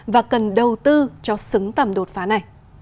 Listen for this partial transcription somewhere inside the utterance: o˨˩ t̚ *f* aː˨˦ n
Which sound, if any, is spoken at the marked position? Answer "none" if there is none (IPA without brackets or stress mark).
f